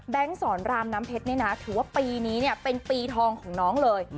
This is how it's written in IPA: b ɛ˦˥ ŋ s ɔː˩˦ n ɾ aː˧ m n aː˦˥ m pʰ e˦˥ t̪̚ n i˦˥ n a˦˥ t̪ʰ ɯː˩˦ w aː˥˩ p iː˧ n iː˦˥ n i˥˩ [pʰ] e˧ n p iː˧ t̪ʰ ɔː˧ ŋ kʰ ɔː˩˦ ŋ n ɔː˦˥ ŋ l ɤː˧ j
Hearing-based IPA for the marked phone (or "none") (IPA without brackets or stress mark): p